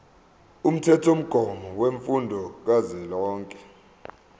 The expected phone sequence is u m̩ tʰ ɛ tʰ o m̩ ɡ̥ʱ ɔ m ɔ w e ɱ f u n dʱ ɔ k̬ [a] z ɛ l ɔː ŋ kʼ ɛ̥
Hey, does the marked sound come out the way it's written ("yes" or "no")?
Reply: yes